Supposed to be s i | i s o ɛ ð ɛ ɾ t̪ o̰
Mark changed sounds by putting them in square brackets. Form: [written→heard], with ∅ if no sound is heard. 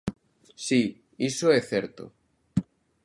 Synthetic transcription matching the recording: s i | i s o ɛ [ð→θ] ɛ ɾ t̪ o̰

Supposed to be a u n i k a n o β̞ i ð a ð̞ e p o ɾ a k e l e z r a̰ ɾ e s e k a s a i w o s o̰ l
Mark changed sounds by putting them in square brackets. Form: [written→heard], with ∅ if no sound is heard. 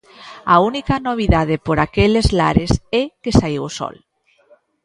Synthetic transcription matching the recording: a u n i k a n o β̞ i ð a ð̞ e p o ɾ a k e l e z [r→l] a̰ ɾ e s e k [a→e] s a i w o s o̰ l

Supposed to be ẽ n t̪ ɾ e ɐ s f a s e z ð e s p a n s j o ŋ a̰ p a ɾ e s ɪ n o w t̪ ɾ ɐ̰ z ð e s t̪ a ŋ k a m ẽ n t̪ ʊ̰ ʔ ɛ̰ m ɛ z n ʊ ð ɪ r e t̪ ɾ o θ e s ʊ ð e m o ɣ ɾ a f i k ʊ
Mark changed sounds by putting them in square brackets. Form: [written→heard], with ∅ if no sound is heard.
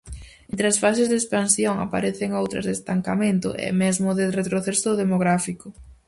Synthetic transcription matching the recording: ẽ n t̪ ɾ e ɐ s f a s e z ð e s p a n s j o ŋ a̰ p a ɾ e [s→θ] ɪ [n→ŋ] o w t̪ ɾ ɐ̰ z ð e s t̪ a ŋ k a m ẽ n t̪ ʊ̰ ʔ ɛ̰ m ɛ z [n→m] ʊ ð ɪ r e t̪ ɾ o θ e s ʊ ð e m o ɣ ɾ a f i k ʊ

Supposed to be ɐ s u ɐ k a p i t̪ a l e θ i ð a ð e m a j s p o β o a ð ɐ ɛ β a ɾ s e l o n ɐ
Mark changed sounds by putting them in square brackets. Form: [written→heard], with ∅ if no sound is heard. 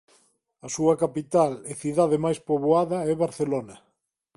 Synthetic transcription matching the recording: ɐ s u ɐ k a p i t̪ a l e θ i ð a ð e m a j s p o β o a ð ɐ ɛ β a ɾ [s→θ] e l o n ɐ

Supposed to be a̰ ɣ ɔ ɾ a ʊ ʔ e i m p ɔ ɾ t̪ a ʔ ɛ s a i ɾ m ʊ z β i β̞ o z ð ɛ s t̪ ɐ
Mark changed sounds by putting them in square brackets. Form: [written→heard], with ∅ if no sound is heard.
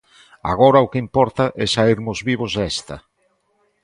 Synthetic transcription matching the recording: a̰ ɣ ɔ ɾ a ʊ [ʔ→k] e i m p ɔ ɾ t̪ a ʔ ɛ s a i ɾ m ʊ z β i β̞ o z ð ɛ s t̪ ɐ

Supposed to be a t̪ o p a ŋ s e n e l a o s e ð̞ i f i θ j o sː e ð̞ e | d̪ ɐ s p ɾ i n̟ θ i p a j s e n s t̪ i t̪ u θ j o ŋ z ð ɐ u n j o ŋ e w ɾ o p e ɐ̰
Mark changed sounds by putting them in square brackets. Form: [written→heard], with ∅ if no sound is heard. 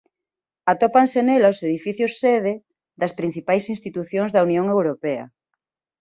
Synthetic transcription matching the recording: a t̪ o p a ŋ s e n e l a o s e ð̞ i f i θ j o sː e ð̞ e | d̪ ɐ s p ɾ i n̟ θ i p a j s [e→i] n s t̪ i t̪ u θ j o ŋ z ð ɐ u n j o ŋ e w ɾ o p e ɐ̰

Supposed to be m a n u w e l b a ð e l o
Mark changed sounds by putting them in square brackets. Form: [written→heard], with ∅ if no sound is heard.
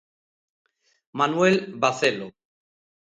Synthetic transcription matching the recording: m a n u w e l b a [ð→θ] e l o

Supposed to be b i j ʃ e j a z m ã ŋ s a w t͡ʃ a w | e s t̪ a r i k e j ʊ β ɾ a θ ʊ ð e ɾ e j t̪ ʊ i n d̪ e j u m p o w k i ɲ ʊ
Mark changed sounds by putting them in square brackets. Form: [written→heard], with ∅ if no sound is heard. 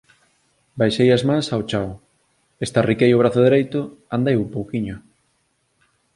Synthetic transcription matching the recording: b [i→a] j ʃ e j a z m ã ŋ s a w t͡ʃ a w | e s t̪ a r i k e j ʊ β ɾ a θ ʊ ð e ɾ e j t̪ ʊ [i→a] n d̪ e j u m p o w k i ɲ ʊ

